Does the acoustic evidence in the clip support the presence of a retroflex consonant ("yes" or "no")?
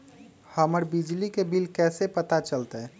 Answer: no